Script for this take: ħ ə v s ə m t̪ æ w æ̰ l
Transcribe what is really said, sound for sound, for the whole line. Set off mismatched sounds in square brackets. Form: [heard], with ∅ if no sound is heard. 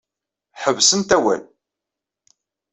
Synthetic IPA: ħ ə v s ə [n] t̪ æ w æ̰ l